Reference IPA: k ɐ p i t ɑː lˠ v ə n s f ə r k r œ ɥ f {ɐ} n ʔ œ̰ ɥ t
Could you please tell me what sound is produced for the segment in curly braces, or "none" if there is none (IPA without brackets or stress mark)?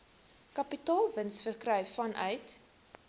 ɐ